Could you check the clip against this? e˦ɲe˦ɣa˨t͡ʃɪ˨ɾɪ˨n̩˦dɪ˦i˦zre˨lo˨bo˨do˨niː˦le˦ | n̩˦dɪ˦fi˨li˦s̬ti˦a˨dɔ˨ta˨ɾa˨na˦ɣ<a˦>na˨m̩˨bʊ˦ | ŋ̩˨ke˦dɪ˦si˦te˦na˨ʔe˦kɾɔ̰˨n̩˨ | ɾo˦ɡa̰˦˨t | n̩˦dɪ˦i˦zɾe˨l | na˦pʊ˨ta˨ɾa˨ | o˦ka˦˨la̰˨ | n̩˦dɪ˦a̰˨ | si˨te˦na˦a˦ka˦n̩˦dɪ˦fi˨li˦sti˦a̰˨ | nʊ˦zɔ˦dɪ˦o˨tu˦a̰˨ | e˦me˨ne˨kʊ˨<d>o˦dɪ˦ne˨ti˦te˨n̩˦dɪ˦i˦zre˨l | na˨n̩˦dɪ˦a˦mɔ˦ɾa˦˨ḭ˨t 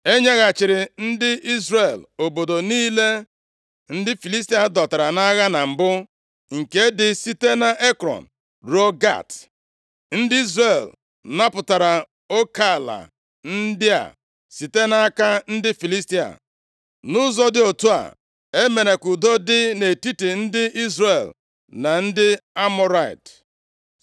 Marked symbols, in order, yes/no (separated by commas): yes, yes